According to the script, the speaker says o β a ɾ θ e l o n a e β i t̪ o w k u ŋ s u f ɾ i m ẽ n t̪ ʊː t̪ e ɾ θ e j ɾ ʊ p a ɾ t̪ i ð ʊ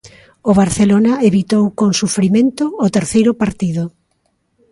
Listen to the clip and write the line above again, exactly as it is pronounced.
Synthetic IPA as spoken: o β a ɾ θ e l o n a e β i t̪ o w k o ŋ s u f ɾ i m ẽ n t̪ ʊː t̪ e ɾ θ e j ɾ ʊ p a ɾ t̪ i ð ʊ